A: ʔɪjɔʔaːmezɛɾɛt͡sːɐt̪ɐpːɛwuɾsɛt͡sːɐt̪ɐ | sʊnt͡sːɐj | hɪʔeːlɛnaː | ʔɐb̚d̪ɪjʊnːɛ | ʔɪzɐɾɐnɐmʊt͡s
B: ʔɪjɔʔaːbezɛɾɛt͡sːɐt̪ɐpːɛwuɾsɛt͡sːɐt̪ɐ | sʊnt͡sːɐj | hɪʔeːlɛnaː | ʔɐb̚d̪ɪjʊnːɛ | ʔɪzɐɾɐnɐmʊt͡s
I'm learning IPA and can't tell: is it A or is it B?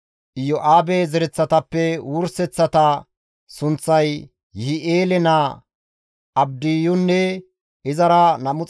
B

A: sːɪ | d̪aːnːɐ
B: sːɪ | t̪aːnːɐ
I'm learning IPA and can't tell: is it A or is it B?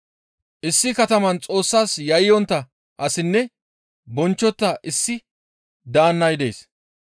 A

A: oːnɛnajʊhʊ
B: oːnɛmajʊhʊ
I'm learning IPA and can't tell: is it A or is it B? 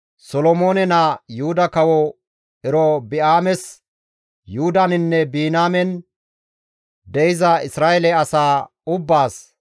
A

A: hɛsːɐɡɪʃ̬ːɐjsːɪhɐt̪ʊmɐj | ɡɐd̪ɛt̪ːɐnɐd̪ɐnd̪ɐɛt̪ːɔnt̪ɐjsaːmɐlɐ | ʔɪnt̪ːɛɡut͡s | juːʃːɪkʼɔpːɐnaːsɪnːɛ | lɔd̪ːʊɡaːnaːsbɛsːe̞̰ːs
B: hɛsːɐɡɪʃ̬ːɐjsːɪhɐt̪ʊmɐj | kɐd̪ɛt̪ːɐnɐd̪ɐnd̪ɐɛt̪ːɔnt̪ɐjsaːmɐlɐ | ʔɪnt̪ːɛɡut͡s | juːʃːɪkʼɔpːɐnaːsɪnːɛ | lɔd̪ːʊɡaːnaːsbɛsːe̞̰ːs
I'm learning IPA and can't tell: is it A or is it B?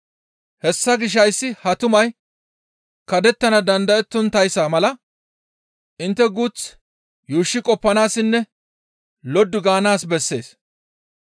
B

